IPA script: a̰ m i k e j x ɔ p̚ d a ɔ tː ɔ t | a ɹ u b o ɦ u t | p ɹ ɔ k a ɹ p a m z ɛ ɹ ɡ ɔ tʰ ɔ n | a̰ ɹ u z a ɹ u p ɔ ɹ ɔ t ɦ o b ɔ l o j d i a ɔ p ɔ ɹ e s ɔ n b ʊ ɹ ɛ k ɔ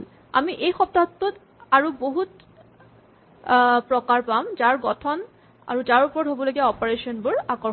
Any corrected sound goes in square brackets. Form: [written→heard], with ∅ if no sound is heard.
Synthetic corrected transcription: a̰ m i [k→ʔ] e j x ɔ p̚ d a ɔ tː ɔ t | a ɹ u b o ɦ u t | p ɹ ɔ k a ɹ p a m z [ɛ→a] ɹ ɡ ɔ tʰ ɔ n | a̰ ɹ u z a ɹ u p ɔ ɹ ɔ t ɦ o b ɔ l o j [d→ɡ] i a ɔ p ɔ ɹ e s ɔ n b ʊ ɹ [ɛ→a] k ɔ